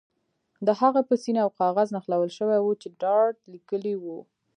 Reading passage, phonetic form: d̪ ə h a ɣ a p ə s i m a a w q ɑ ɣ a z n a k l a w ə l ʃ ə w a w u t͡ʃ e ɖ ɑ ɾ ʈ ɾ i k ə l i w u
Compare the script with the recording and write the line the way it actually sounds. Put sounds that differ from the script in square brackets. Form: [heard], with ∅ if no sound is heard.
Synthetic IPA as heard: d̪ ə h a ɣ a p ə s i [n] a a w q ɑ ɣ a z n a [x] l a w ə l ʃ ə w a w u t͡ʃ e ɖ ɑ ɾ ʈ [l] i k ə l i w u